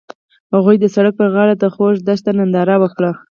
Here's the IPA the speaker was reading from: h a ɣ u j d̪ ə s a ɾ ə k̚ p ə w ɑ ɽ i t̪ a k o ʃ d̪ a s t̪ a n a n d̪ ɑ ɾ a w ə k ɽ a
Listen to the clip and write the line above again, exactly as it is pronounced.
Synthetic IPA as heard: h a ɣ u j d̪ ə s a ɽ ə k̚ p ə ɣ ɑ ɽ a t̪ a x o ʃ d̪ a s t̪ a n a n d̪ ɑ ɾ a w ə k ɽ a

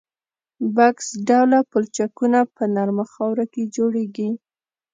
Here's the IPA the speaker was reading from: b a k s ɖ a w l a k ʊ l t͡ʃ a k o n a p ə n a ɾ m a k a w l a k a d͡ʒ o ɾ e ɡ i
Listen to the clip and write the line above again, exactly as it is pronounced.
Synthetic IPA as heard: b a k s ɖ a w l a p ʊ l t͡ʃ a k u n a p ə n a ɾ m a x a w ɾ a k e d͡ʒ o ɽ e ɡ i

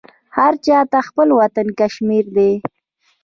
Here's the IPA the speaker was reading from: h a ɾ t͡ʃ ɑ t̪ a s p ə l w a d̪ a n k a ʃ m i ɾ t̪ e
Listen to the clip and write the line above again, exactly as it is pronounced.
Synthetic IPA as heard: h a ɾ t͡ʃ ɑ t̪ a x p ə l w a t̪ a n k a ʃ m i ɾ d̪ e

